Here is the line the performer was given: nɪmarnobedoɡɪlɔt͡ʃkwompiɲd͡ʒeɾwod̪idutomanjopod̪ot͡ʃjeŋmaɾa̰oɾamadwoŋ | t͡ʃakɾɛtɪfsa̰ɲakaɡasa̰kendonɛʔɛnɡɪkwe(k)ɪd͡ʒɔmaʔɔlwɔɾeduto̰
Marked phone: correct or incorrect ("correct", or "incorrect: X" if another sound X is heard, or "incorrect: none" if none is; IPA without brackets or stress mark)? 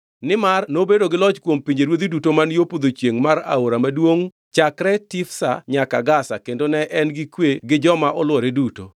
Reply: incorrect: ɡ